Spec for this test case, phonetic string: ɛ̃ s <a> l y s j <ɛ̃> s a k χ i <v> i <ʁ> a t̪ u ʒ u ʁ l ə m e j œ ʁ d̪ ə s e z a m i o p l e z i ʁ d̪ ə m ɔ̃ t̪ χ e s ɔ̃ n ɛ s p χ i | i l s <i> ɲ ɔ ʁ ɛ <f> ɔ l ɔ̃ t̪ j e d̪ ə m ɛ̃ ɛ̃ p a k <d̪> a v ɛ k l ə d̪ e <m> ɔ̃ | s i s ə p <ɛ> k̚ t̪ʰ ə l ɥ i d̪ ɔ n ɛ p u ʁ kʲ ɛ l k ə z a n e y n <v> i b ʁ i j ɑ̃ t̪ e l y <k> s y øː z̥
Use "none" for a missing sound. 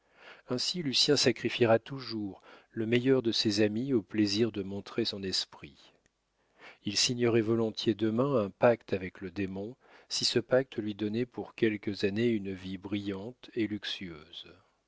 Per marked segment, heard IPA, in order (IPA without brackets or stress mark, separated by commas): i, ɛ̃, f, ʁ, i, v, t̪, m, a, v, k